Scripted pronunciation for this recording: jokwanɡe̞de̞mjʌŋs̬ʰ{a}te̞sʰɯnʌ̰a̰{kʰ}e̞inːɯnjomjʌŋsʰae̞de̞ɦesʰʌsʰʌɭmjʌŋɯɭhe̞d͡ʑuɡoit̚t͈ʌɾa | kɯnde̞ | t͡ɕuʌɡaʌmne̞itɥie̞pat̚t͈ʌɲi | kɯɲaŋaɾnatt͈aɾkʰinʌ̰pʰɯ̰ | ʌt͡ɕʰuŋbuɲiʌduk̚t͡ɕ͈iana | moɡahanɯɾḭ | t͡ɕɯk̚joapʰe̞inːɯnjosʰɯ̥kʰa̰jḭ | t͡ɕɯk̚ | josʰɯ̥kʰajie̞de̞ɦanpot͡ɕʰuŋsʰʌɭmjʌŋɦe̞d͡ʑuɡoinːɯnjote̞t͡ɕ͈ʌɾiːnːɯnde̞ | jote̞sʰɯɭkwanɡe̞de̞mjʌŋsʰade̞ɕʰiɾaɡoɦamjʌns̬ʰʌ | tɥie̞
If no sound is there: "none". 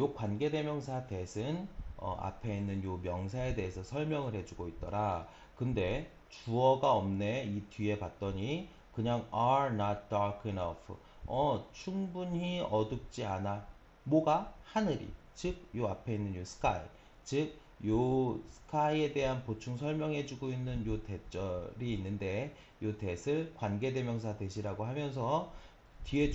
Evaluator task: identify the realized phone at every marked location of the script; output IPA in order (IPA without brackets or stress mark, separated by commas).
a, pʰ